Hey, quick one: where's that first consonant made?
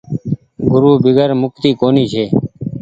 velum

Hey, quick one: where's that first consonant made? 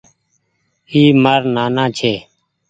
lips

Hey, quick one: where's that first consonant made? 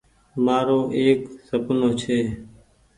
lips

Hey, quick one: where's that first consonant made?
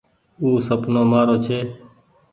tongue tip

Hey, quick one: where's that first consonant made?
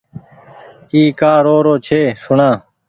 velum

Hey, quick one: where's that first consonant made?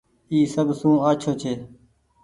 tongue tip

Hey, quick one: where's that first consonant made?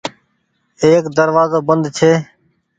velum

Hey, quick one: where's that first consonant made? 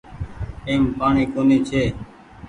lips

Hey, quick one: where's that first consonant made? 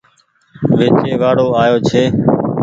lips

